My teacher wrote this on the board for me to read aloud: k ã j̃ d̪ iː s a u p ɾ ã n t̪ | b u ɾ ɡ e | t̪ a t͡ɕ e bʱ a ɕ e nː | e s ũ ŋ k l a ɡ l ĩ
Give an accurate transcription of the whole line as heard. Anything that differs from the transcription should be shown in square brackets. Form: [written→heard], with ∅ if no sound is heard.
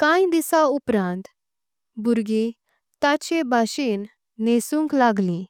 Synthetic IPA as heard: k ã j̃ d̪ [iː→i] s a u p ɾ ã n t̪ | b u ɾ ɡ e | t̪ a t͡ɕ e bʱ a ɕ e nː | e s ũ ŋ k l a ɡ l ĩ